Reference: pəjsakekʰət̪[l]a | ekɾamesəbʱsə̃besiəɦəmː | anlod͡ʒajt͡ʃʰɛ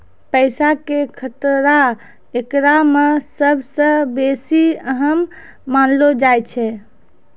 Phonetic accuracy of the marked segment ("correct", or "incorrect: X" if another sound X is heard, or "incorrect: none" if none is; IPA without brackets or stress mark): incorrect: ɾ